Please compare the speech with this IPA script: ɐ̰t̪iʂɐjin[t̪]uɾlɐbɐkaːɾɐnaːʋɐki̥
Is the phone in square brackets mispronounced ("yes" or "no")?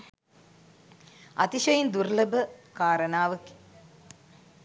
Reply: yes